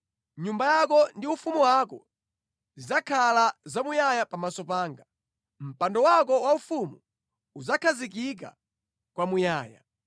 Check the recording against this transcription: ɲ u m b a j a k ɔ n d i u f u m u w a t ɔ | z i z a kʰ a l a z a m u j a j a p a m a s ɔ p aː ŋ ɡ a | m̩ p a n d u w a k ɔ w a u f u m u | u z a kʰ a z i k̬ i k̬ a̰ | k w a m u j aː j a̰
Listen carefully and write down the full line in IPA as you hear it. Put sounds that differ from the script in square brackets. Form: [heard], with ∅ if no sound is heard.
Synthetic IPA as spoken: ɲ u m b a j a k ɔ n d i u f u m u w a [k] ɔ | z i z a kʰ a l a z a m u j a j a p a m a s ɔ p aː ŋ ɡ a | m̩ p a n d [ɔ] w a k ɔ w a u f u m u | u z a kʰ a z i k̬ i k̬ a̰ | k w a m u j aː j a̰